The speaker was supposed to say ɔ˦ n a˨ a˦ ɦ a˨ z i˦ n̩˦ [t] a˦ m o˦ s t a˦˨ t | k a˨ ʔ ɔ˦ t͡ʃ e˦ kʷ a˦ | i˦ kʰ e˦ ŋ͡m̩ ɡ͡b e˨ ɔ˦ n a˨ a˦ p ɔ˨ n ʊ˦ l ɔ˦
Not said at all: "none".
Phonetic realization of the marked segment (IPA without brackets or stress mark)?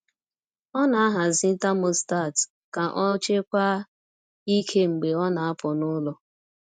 t